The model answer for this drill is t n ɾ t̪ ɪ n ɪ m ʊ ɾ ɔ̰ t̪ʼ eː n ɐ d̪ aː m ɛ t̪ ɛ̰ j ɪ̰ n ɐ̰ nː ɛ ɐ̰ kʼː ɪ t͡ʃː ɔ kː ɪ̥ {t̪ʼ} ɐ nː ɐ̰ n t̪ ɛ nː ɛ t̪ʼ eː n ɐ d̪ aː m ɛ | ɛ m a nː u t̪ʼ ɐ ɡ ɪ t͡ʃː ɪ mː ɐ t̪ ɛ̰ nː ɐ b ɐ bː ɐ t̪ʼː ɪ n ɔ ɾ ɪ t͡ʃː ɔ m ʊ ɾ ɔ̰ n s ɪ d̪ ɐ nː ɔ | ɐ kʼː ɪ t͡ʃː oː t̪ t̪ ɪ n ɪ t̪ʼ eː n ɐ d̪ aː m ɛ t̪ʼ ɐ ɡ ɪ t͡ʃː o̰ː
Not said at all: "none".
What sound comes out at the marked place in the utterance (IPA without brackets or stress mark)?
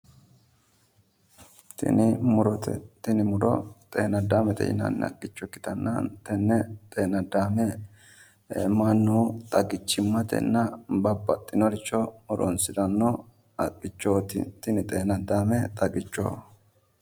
t̪